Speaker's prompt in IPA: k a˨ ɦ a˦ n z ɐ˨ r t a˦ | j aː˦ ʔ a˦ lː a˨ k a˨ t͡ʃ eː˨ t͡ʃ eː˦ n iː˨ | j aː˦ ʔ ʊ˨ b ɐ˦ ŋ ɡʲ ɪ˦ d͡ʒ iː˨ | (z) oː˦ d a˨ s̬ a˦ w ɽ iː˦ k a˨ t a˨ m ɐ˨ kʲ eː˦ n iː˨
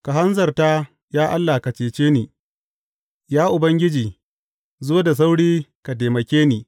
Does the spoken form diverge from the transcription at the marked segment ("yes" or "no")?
no